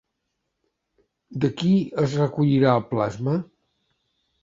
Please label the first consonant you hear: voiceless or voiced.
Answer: voiced